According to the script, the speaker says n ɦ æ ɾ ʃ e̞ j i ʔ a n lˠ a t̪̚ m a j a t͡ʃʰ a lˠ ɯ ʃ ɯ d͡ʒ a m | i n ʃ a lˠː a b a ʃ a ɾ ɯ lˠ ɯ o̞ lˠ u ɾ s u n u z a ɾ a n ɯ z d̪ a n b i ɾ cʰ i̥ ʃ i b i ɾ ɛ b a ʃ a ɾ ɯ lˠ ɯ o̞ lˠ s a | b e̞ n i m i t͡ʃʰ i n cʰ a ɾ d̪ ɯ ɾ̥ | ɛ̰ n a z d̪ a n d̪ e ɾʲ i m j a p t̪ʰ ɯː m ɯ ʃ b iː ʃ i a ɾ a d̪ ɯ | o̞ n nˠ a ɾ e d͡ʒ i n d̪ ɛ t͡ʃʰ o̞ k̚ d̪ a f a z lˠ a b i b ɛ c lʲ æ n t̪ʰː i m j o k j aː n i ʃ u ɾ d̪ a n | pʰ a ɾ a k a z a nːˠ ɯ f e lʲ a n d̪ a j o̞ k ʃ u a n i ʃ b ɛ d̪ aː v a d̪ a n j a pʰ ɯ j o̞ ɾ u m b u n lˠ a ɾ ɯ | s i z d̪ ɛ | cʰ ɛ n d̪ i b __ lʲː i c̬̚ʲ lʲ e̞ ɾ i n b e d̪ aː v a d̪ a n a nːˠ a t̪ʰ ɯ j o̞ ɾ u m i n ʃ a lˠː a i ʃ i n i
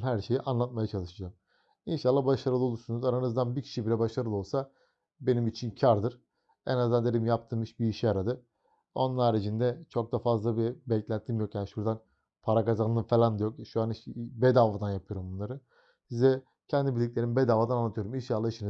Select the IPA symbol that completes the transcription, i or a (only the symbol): i